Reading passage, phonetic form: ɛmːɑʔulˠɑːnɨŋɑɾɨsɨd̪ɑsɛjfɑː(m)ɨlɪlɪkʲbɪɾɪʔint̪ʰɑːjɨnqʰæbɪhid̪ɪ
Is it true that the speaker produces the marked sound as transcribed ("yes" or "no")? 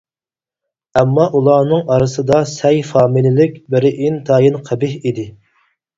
yes